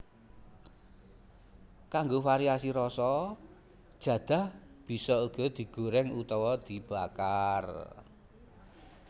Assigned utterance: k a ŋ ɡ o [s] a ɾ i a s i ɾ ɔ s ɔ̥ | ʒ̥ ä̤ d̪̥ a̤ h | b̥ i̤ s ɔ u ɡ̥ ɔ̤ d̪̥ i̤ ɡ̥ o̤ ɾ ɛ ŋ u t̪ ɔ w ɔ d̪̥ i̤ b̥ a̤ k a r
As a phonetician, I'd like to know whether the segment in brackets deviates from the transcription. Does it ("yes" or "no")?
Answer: yes